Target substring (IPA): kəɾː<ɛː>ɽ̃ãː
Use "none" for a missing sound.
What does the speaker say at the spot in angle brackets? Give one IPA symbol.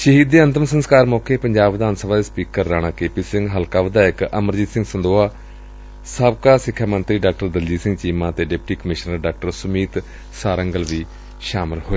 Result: aː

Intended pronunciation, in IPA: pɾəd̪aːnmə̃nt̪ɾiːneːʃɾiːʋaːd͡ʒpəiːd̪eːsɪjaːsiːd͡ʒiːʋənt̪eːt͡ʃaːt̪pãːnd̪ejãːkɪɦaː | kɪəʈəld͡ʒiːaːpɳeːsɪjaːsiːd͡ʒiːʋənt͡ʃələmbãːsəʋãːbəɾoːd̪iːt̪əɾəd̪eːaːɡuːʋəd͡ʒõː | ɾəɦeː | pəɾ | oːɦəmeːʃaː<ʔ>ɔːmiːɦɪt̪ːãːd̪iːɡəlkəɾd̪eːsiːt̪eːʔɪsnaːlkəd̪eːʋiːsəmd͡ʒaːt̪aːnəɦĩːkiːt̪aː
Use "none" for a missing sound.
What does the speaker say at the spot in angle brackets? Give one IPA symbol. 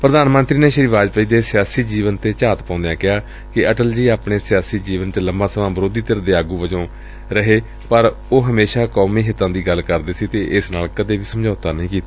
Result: k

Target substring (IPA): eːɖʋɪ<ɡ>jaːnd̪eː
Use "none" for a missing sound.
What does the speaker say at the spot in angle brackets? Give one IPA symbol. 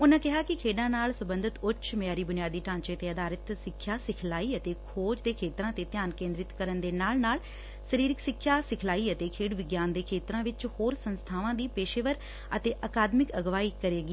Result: ɡ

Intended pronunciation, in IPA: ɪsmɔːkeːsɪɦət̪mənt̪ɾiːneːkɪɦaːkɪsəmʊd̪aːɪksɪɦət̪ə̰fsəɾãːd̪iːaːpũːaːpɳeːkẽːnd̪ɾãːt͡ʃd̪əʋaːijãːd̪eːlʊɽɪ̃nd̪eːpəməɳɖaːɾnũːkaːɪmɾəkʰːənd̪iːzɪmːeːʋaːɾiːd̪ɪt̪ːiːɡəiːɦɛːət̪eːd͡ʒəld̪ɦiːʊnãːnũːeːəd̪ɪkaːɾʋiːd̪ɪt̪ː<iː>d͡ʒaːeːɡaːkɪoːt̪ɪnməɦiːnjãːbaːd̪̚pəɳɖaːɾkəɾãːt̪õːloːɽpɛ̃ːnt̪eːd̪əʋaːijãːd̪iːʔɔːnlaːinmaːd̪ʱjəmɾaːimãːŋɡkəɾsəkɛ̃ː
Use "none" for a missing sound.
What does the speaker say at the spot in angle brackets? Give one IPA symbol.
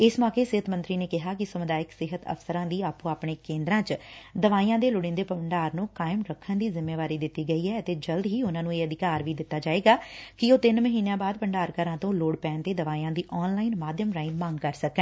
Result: aː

